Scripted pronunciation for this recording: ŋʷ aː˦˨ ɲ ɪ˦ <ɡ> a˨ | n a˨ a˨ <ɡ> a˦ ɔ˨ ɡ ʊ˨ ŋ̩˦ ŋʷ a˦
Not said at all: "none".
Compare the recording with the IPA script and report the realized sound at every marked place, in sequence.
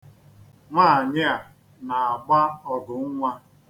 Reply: none, ɡ͡b

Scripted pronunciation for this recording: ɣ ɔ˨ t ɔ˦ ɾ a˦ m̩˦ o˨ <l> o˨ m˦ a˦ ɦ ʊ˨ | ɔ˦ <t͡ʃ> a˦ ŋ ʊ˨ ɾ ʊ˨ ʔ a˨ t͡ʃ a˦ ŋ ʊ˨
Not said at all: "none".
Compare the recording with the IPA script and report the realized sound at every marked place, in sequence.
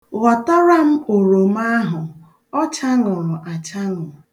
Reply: ɾ, t͡ʃ

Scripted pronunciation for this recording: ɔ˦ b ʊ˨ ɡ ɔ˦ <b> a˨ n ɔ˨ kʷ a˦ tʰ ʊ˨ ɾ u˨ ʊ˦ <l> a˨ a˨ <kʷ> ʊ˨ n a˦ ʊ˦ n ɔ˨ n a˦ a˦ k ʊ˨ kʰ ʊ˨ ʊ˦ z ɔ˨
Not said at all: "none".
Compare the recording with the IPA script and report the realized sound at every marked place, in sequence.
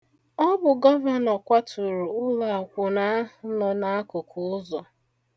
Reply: v, l, kʷ

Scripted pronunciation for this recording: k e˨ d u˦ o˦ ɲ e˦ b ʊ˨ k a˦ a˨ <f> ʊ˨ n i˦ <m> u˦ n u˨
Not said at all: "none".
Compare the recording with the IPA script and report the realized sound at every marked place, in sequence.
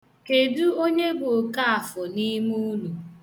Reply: f, m

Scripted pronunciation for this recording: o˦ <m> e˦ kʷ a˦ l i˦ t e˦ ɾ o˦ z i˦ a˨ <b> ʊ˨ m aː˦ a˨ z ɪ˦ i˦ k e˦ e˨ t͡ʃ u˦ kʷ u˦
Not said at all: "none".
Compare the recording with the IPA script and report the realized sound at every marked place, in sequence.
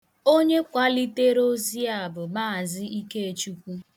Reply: ɲ, b

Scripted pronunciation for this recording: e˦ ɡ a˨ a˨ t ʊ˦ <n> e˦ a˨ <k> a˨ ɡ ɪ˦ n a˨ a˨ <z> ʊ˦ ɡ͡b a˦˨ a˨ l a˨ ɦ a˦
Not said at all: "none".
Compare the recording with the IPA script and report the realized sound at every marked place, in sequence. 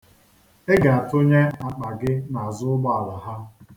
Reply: ɲ, k͡p, z

